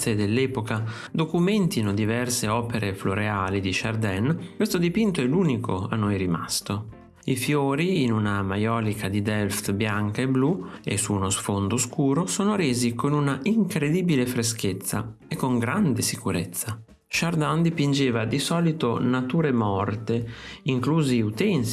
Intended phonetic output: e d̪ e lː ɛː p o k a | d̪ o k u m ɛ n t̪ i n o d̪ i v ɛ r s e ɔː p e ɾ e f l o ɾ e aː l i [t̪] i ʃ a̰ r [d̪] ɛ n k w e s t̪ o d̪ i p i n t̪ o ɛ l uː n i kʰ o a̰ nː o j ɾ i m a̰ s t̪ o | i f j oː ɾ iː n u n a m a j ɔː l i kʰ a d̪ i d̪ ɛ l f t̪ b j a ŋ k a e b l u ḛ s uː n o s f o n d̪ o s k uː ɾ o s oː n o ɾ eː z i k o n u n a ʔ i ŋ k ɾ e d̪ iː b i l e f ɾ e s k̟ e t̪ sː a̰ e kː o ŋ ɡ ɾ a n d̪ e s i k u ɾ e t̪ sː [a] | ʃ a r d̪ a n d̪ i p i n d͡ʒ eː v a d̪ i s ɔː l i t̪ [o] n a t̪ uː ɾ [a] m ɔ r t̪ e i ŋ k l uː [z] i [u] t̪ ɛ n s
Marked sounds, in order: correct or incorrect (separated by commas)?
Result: incorrect, correct, correct, correct, incorrect, correct, correct